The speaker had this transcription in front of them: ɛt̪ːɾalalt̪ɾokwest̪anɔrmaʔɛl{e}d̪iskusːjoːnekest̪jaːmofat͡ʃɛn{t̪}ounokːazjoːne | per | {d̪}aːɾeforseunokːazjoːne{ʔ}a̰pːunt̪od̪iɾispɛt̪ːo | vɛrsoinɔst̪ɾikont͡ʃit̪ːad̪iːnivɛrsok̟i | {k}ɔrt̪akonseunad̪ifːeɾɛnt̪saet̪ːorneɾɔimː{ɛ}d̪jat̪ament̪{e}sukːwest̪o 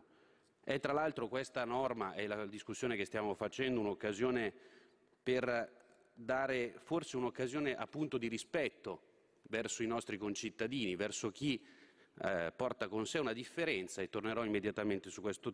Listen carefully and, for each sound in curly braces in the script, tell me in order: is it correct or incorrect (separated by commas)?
incorrect, incorrect, correct, correct, incorrect, incorrect, correct